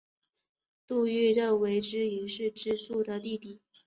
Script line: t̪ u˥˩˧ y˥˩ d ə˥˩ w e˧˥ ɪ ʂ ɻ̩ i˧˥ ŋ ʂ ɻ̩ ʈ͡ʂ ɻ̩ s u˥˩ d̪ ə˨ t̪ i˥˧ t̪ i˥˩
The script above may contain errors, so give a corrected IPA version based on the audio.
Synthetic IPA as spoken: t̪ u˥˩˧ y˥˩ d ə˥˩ w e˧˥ ɪ ʈ͡ʂ ɻ̩ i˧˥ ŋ ʂ ɻ̩ ʈ͡ʂ ɻ̩ s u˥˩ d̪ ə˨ t̪ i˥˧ t̪ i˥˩

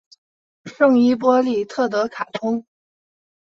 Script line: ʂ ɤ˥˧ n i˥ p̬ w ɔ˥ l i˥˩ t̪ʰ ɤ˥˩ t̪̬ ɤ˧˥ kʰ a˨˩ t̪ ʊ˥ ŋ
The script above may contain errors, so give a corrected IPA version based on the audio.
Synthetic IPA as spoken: ʂ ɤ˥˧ ŋ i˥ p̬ w ɔ˥ l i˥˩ t̪ʰ ɤ˥˩ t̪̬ ɤ˧˥ kʰ a˨˩ t̪ʰ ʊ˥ ŋ

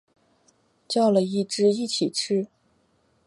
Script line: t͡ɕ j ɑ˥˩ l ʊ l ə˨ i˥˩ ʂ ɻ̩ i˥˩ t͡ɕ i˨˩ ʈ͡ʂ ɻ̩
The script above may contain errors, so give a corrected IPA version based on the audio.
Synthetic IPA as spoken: t͡ɕ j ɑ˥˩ ʊ l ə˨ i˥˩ ʈ͡ʂ ɻ̩ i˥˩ t͡ɕʰ i˨˩ ʈ͡ʂʰ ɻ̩

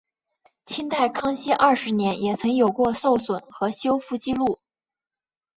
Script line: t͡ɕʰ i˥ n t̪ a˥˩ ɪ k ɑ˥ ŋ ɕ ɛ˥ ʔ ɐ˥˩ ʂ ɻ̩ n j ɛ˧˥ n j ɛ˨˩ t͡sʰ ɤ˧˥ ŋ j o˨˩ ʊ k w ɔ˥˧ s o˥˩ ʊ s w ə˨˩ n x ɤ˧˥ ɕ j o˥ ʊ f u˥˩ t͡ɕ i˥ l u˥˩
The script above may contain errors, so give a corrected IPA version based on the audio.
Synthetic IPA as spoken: t͡ɕʰ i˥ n t̪ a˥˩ ɪ kʰ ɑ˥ ŋ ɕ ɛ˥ ʔ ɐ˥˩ ʂ ɻ̩ n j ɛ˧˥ n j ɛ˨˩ t͡sʰ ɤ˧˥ ŋ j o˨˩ ʊ k w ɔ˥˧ s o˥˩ ʊ s w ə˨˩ n x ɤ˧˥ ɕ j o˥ ʊ f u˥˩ t͡ɕ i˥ l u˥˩

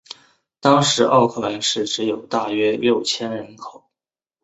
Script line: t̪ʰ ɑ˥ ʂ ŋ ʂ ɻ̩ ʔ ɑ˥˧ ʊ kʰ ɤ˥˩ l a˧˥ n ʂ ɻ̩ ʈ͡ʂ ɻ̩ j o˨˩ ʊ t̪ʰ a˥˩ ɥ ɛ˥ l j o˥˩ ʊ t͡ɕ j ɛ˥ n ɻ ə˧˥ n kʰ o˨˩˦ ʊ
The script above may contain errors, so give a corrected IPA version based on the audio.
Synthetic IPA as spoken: t̪ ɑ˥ ŋ ʂ ɻ̩ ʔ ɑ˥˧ ʊ kʰ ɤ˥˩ l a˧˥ n ʂ ɻ̩ ʈ͡ʂ ɻ̩ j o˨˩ ʊ t̪ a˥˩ ɥ ɛ˥ l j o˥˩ ʊ t͡ɕʰ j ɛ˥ n ɻ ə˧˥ n kʰ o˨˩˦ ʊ

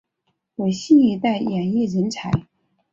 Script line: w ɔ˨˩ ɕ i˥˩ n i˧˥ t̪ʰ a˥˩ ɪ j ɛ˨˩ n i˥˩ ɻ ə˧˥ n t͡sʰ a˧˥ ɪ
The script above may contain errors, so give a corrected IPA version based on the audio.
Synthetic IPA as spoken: w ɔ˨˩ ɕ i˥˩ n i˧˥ t̪ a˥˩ ɪ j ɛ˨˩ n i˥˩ ɻ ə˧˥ n t͡sʰ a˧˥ ɪ

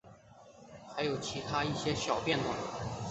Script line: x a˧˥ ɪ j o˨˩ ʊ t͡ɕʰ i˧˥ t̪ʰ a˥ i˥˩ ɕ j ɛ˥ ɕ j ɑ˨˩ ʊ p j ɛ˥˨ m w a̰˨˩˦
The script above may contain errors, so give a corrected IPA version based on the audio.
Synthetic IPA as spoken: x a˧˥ ɪ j o˨˩ ʊ t͡ɕʰ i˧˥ t̪ʰ a˥ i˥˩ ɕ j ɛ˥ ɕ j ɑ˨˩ ʊ p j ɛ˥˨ n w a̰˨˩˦

